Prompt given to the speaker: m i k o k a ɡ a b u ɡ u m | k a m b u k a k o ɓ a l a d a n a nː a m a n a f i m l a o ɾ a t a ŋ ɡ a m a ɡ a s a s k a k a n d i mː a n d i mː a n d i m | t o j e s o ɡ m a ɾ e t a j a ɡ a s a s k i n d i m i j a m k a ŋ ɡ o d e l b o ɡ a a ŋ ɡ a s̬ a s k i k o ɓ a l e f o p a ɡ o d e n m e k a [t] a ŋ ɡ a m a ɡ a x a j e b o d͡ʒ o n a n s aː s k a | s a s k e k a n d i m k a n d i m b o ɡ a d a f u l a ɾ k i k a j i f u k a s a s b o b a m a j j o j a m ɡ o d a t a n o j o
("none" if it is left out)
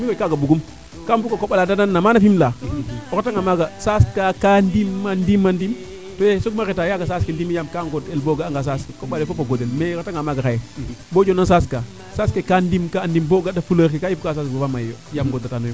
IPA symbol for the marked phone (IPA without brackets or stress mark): t